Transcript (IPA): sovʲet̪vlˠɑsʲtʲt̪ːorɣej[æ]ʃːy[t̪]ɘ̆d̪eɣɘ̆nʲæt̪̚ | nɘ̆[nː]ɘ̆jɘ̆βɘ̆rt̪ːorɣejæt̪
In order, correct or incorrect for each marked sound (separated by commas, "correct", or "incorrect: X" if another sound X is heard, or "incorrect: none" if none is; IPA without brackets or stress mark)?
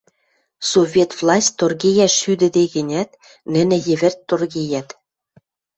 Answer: correct, incorrect: d̪, incorrect: n